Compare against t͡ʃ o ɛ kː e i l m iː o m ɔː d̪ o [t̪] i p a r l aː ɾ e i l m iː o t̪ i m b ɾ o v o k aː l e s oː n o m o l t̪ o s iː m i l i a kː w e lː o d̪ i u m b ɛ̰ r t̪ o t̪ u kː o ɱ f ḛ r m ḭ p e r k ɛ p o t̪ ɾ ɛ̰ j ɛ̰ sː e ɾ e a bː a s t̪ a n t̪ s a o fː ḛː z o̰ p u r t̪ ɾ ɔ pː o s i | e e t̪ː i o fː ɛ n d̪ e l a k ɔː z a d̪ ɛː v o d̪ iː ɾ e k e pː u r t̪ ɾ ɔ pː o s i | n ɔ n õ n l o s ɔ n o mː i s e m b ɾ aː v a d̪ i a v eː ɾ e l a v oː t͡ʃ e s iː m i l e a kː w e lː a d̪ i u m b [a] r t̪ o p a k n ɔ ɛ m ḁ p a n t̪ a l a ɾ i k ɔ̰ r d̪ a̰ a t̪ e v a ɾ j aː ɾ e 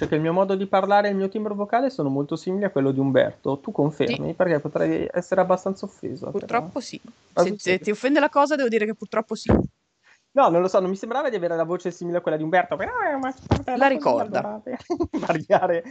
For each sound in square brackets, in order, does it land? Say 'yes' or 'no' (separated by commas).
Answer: no, no